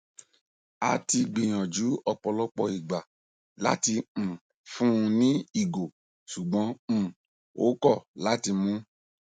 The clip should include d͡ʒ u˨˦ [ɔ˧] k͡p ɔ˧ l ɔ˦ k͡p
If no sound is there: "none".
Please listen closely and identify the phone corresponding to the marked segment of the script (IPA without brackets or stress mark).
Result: ɔ˧